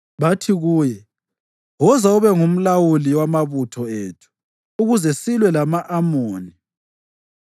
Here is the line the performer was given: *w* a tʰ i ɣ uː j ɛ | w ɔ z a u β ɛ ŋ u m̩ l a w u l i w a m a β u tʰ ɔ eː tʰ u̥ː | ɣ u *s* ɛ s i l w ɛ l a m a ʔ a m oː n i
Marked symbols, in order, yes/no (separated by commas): no, no